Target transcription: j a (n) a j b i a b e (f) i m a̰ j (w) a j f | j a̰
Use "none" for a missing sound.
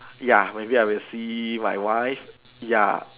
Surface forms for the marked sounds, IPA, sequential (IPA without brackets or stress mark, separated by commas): m, s, w